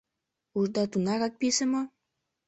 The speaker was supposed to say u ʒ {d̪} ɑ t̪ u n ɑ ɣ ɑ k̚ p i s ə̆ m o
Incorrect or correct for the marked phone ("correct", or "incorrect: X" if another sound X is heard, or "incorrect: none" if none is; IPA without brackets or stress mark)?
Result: correct